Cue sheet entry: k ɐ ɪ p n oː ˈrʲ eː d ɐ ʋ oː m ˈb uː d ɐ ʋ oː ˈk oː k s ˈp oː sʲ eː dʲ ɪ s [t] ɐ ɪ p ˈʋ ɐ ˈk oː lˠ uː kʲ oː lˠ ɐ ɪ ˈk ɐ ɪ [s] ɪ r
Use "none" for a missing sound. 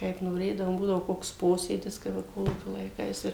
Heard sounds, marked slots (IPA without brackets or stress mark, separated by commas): k, s